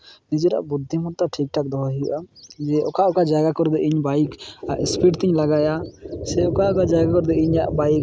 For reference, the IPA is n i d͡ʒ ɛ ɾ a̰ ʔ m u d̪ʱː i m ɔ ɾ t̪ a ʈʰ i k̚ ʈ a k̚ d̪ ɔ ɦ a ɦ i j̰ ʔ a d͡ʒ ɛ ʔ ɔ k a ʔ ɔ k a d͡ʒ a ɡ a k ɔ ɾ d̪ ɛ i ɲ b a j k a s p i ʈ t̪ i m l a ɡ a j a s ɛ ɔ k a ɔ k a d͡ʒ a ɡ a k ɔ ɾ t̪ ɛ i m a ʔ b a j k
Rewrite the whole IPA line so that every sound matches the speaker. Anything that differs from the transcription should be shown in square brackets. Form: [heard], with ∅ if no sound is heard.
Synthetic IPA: n i d͡ʒ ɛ ɾ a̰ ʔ [b] u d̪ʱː i m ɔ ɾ t̪ a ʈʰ i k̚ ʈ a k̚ d̪ ɔ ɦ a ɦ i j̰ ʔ a d͡ʒ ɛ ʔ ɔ k a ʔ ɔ k a d͡ʒ a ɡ a k ɔ ɾ d̪ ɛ i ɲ b a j k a s p i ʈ t̪ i [ɲ] l a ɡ a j a s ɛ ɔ k a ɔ k a d͡ʒ a ɡ a k ɔ ɾ [d̪] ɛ i [ɲ] a ʔ b a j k